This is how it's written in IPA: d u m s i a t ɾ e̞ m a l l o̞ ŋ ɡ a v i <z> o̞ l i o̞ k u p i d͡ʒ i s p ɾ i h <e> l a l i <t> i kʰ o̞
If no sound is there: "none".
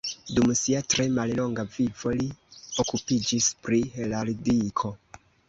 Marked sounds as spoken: v, e, d

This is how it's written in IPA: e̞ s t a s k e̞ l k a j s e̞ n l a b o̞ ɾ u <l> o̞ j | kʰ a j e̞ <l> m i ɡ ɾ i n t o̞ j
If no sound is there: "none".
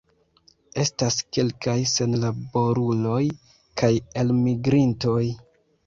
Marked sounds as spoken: l, l

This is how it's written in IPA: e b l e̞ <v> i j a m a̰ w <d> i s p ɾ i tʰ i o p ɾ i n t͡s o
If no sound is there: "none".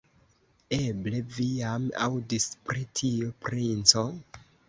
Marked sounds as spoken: v, d

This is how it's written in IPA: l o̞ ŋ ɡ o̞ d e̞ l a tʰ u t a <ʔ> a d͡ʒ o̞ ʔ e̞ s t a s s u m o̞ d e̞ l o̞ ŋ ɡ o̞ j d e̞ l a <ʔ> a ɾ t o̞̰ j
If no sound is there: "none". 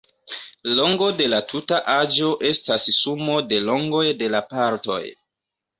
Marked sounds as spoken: ʔ, p

